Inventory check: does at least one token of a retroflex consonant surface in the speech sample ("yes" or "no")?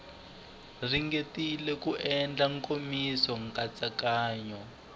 no